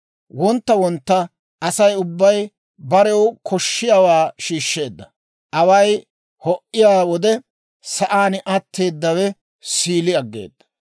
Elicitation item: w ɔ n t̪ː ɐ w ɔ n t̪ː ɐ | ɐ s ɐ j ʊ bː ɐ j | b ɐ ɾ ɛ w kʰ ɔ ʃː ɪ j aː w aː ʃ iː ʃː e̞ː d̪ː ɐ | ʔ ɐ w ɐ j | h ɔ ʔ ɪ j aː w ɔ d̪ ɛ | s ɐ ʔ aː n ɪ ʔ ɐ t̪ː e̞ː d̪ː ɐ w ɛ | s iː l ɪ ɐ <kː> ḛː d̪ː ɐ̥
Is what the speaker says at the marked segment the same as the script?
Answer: no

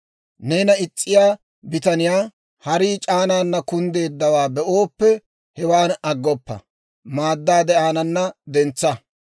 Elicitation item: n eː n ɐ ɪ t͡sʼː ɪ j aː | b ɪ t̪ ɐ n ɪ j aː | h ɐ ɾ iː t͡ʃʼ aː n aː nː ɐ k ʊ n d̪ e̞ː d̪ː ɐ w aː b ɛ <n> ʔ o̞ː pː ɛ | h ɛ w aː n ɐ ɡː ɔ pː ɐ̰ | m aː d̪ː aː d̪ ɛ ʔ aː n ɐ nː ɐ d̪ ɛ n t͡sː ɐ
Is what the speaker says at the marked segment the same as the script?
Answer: no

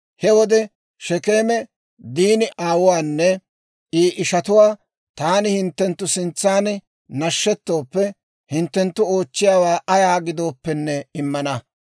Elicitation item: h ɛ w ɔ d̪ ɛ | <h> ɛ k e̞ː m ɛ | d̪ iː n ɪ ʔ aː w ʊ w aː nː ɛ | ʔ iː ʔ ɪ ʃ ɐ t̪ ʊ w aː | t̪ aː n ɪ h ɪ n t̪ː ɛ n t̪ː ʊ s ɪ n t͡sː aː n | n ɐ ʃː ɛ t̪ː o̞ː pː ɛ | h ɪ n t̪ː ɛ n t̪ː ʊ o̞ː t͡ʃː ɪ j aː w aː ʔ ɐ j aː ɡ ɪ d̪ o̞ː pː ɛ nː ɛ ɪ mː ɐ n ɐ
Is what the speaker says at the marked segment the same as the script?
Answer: no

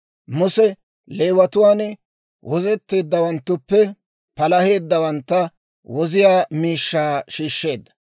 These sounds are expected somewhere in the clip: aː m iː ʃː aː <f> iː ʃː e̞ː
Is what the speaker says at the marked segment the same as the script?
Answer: no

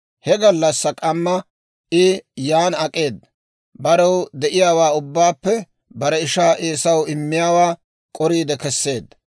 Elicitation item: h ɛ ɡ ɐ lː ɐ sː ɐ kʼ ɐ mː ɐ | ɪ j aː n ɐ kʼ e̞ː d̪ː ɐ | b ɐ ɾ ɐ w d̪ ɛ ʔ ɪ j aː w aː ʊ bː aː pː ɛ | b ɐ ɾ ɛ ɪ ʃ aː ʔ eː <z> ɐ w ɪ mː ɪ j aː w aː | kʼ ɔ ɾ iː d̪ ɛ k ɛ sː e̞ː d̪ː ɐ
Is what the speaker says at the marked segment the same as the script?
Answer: no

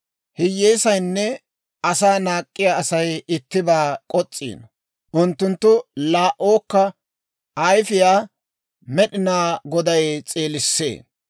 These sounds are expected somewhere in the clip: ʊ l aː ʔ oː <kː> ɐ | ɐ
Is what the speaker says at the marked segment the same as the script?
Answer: yes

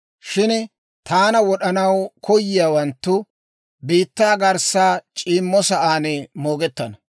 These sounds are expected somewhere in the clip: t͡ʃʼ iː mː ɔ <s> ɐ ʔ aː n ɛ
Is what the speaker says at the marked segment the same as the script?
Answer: yes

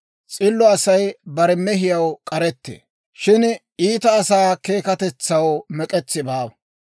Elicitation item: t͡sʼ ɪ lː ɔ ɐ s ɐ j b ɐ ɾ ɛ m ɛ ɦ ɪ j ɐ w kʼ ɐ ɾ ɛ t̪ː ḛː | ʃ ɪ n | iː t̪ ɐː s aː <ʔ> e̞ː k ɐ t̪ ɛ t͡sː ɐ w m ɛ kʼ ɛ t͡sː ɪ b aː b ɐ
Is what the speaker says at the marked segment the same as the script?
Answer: no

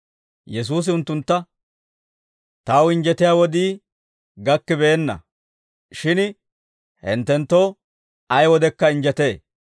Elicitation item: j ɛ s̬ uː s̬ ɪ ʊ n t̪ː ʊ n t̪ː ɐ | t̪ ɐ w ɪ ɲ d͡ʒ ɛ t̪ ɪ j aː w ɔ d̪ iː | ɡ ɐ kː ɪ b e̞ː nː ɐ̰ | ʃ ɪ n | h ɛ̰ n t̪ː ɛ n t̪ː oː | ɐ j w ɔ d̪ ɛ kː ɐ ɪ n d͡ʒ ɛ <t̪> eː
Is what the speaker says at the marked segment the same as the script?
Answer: yes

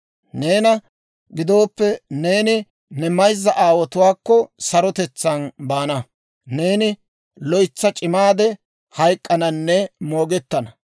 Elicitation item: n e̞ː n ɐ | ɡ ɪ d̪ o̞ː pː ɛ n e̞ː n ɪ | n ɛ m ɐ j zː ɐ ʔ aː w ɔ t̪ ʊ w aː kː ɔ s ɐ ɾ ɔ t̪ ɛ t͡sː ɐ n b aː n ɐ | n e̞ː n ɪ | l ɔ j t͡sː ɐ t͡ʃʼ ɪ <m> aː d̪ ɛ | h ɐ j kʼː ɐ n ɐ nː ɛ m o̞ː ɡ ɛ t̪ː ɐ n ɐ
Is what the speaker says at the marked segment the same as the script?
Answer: yes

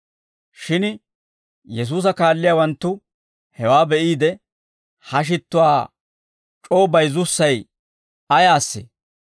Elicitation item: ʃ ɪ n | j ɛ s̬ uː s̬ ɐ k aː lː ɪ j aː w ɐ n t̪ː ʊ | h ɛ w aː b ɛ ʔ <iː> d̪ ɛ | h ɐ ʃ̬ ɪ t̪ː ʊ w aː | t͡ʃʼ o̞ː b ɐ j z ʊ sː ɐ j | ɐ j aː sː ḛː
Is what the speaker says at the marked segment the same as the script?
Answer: yes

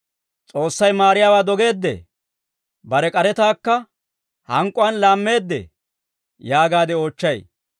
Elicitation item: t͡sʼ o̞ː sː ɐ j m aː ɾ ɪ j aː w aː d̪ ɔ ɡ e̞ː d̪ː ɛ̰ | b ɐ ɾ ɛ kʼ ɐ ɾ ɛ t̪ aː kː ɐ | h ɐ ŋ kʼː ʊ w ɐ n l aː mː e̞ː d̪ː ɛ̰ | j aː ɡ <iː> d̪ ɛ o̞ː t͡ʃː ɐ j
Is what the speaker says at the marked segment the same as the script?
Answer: no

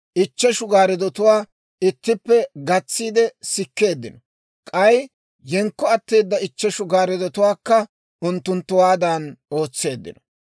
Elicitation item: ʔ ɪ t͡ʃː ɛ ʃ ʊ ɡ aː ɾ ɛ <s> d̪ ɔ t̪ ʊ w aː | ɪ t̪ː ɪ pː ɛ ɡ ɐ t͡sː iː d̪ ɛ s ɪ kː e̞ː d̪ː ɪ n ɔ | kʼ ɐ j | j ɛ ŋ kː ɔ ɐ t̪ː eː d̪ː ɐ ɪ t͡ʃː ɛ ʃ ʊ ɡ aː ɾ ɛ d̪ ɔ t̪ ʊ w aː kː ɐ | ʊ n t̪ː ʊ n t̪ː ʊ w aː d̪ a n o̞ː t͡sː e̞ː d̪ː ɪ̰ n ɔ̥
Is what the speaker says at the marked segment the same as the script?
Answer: no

